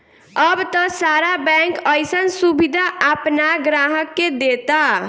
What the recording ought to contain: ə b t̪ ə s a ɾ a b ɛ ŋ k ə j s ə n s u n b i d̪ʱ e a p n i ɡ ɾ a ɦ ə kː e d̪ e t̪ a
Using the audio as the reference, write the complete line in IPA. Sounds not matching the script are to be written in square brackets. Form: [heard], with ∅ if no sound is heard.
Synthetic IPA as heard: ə b t̪ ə s a ɾ a b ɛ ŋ k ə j s ə n s u [∅] b i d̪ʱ [a] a p n [a] ɡ ɾ a ɦ ə kː e d̪ e t̪ a